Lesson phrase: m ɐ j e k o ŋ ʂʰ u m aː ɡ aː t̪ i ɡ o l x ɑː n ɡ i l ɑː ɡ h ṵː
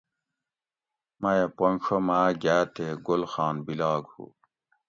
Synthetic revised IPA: m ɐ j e p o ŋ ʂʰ o m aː ɡ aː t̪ e ɡ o l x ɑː n b i l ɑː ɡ h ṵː